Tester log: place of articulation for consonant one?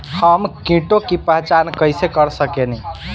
glottal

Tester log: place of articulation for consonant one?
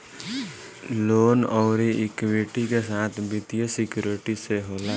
alveolar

